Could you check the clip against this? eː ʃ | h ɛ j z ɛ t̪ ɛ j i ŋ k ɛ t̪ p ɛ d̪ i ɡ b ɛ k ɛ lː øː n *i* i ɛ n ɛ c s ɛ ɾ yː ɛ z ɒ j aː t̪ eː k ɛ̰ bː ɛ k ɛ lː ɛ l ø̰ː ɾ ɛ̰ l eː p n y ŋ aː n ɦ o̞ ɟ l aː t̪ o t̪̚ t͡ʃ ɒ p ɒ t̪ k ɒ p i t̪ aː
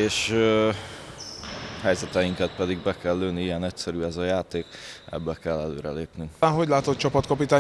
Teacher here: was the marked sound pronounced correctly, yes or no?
yes